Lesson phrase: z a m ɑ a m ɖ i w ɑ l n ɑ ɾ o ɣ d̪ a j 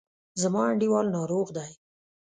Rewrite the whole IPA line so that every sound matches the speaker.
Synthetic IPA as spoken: z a m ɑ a ɳ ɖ i w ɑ l n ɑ ɾ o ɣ d̪ a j